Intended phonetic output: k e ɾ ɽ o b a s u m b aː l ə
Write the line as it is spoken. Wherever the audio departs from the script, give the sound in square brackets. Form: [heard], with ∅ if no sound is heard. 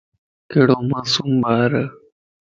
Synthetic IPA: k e [∅] ɽ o [m] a s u m b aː [ɾ] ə